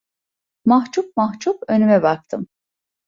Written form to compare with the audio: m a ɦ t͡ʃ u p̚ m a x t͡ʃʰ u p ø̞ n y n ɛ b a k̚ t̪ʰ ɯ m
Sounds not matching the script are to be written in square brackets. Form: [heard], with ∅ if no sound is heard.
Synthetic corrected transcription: m a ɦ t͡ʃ u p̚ m a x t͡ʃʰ u p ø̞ n y [m] ɛ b a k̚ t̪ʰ ɯ m